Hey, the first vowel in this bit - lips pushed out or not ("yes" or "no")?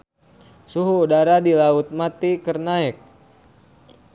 yes